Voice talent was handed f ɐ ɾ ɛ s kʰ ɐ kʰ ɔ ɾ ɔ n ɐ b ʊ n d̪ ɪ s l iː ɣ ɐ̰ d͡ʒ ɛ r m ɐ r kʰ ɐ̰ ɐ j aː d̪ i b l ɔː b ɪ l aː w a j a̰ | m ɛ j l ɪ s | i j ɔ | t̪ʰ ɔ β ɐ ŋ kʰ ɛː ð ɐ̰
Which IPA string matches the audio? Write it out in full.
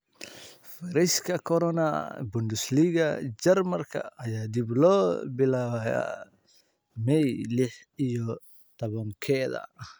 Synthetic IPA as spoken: f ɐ ɾ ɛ s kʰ ɐ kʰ ɔ ɾ ɔ n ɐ b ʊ n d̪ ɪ s l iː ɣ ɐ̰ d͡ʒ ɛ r m ɐ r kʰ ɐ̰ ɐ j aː d̪ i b l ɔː b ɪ l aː w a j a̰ | m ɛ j l ɪ ħ | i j ɔ | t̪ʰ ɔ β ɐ ŋ kʰ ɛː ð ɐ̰